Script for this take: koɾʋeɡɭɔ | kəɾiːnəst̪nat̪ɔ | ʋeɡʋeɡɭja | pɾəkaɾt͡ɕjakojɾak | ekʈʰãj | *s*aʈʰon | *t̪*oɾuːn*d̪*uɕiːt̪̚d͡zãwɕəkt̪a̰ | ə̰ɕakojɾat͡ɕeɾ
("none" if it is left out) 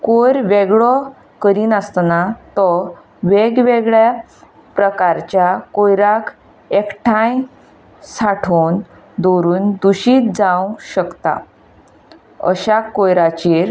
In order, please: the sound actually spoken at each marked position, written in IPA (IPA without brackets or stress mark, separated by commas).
s, d̪, d̪